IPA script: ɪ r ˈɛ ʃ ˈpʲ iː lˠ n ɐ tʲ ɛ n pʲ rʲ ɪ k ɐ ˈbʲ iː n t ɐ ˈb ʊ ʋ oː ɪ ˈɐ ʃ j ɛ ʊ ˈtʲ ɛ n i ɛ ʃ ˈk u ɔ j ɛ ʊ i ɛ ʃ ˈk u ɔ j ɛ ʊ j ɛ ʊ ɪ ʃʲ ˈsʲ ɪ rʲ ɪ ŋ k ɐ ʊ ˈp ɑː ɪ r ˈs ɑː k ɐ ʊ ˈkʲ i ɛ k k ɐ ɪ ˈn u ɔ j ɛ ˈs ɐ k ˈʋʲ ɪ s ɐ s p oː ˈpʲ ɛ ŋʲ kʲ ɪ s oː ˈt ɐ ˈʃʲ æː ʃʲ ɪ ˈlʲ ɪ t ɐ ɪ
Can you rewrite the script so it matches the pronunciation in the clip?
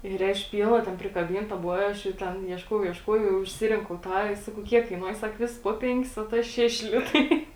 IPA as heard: ɪ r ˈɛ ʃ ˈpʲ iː lˠ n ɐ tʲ ɛ n pʲ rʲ ɪ k ɐ ˈbʲ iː n t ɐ ˈb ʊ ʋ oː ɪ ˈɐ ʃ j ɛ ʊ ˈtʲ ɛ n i ɛ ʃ ˈk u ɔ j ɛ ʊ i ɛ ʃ ˈk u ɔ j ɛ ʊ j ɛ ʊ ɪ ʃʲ ˈsʲ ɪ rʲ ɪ ŋ k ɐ ʊ ˈt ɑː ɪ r ˈs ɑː k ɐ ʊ ˈkʲ i ɛ k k ɐ ɪ ˈn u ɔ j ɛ ˈs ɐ k ˈʋʲ ɪ s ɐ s p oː ˈpʲ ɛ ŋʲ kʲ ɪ s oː ˈt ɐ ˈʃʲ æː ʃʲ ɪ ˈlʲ ɪ t ɐ ɪ